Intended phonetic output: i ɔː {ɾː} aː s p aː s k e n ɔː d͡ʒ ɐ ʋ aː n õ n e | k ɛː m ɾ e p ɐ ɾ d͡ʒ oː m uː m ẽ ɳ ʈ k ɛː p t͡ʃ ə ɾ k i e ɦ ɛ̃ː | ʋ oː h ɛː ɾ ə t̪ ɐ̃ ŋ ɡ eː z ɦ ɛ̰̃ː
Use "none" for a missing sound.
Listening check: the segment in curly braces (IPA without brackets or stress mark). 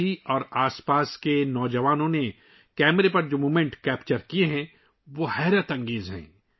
ɾ